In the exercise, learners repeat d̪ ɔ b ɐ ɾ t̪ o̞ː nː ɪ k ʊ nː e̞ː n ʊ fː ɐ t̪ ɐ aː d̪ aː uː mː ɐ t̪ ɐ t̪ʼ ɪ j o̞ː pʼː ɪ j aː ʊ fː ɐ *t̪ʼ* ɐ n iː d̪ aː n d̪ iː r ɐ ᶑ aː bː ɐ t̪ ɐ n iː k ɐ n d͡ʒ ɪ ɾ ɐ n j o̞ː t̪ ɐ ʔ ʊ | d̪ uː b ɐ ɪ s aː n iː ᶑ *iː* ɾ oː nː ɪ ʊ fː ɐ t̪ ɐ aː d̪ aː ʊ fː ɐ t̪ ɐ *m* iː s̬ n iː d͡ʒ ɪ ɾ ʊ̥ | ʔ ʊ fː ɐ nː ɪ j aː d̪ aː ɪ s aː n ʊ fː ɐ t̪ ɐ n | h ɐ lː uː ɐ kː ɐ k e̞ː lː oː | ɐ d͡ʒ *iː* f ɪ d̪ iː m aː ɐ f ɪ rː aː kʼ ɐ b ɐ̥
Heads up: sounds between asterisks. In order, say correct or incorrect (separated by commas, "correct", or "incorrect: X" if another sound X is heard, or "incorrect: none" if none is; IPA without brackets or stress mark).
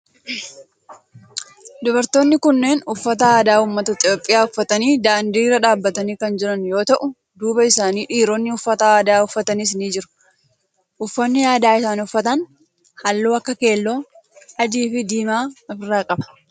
incorrect: t̪, correct, incorrect: n, correct